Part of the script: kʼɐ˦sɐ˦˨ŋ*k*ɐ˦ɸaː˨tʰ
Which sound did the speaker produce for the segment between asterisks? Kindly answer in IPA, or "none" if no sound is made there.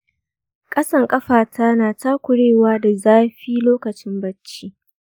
kʼ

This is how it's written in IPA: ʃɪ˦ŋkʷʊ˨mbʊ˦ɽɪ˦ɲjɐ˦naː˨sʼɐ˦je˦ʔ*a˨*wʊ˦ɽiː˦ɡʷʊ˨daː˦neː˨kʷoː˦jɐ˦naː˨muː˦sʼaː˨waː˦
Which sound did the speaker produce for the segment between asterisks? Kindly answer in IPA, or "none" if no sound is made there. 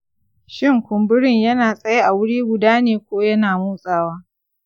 a˨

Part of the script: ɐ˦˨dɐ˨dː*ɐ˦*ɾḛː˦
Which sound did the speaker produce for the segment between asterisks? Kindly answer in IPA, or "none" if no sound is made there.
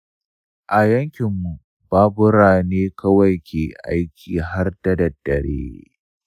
ɐ˨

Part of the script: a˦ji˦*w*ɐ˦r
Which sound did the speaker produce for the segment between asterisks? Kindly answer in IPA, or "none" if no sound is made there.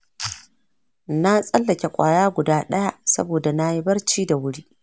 b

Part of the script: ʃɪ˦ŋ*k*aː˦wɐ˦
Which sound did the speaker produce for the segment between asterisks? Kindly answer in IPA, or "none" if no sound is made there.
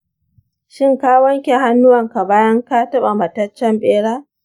k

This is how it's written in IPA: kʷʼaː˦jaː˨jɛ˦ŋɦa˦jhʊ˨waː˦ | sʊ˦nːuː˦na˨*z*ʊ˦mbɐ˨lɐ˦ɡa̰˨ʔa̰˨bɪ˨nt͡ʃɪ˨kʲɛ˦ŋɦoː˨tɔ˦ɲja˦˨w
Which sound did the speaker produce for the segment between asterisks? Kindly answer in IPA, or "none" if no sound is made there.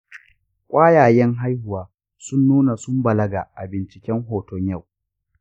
s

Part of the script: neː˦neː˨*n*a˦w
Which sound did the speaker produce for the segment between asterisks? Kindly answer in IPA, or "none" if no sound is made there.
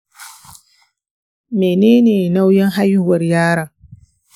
n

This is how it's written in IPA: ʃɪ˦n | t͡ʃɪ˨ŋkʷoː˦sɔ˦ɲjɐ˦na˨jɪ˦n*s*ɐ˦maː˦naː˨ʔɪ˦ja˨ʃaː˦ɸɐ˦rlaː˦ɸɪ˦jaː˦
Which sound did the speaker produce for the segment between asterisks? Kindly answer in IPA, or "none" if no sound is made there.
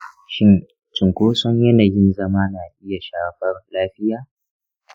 z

